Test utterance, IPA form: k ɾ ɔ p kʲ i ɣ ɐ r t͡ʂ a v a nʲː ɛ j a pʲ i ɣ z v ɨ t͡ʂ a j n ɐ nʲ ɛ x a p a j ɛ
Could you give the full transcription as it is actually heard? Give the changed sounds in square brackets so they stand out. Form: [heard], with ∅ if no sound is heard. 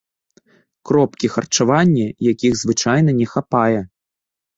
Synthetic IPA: k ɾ ɔ p kʲ i [x] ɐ r t͡ʂ a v a nʲː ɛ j a [kʲ] i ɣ z v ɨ t͡ʂ a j n ɐ nʲ ɛ x a p a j ɛ

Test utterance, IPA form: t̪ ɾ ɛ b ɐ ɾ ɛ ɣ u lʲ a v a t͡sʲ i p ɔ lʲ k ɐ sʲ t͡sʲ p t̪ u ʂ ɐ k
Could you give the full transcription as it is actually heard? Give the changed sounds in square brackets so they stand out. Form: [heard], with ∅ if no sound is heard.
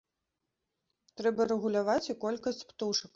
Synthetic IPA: t̪ ɾ ɛ b ɐ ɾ ɛ ɣ u lʲ a v a t͡sʲ i [k] ɔ lʲ k ɐ sʲ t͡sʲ p t̪ u ʂ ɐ k

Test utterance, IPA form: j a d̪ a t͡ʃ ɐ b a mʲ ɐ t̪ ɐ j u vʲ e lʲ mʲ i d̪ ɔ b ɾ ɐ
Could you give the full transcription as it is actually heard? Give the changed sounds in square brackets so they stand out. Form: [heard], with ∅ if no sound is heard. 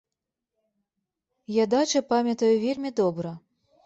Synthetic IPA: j a d̪ a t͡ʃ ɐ [p] a mʲ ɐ t̪ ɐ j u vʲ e lʲ mʲ i d̪ ɔ b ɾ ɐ

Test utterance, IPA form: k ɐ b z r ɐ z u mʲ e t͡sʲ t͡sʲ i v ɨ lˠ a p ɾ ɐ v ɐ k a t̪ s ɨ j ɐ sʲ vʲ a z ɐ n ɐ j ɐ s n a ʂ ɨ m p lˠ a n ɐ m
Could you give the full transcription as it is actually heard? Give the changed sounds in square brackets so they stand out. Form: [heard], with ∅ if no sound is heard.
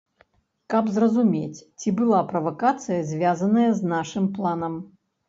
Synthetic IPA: k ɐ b z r ɐ z u mʲ e t͡sʲ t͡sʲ i [b] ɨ lˠ a p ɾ ɐ v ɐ k a t̪ s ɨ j ɐ [zʲ] vʲ a z ɐ n ɐ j ɐ [z] n a ʂ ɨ m p lˠ a n ɐ m

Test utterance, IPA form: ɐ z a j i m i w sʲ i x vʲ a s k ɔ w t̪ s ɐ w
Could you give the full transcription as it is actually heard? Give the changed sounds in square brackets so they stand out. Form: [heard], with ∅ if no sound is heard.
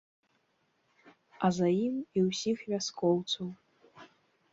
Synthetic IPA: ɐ z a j i m i w sʲ i x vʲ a s k ɔ w t̪ s ɐ w

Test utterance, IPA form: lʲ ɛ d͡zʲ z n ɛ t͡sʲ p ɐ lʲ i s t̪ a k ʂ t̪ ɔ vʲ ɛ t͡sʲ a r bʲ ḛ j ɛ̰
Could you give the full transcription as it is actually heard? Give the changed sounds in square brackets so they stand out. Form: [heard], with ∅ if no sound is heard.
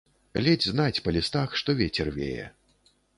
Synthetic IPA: lʲ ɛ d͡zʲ z n [a] t͡sʲ p ɐ lʲ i s t̪ a [x] ʂ t̪ ɔ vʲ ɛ t͡sʲ [ɛ] r [vʲ] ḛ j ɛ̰

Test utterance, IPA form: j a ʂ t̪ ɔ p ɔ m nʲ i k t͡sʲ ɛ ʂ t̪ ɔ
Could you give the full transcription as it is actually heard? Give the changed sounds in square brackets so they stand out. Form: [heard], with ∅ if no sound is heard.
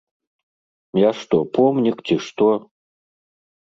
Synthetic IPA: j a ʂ t̪ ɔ p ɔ m nʲ i k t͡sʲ [i] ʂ t̪ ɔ

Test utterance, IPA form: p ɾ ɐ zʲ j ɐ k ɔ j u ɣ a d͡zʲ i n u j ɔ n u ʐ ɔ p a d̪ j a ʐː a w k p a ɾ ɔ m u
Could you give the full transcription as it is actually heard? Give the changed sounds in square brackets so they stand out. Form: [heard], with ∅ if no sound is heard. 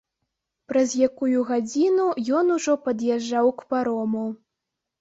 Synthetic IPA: p ɾ ɐ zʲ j [a] k [u] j u ɣ a d͡zʲ i n u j ɔ n u ʐ ɔ p [ɐ] d̪ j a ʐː a w k p a ɾ ɔ m u

